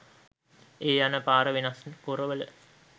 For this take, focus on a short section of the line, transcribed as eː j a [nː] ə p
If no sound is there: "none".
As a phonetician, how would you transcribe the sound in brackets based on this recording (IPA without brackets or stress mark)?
n